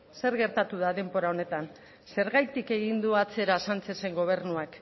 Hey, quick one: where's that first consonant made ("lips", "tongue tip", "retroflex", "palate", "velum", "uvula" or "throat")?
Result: tongue tip